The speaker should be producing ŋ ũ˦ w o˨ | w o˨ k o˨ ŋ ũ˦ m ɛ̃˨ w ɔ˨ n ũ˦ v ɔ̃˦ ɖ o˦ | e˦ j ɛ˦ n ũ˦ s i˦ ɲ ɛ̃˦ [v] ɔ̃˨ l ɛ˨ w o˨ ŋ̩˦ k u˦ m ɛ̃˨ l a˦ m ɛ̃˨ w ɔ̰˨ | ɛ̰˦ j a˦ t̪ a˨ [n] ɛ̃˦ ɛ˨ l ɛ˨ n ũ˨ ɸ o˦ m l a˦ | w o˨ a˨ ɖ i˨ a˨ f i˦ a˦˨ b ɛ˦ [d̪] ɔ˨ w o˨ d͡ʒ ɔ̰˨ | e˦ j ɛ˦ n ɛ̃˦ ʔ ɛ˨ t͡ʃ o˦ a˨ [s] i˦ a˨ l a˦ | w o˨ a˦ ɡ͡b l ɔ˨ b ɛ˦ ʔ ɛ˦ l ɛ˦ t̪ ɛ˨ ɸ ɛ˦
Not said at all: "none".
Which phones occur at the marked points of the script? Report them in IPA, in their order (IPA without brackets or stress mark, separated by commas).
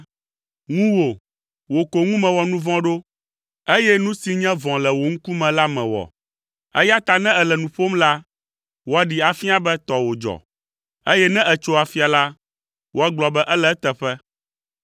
v, n, t̪, f